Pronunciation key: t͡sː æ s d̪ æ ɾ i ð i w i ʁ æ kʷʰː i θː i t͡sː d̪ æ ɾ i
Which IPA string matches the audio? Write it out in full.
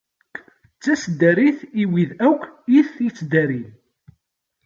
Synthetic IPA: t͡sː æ s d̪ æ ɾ i θ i w i ð æ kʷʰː i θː i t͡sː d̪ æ ɾ i